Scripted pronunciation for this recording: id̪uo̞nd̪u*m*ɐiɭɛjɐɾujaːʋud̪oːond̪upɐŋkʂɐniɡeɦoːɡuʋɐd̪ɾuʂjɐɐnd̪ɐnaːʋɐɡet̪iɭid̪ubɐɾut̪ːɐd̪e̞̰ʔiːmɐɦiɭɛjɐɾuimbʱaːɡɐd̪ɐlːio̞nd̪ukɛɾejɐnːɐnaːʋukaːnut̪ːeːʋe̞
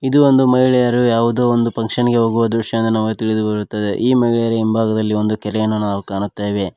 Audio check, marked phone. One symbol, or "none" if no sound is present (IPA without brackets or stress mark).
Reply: m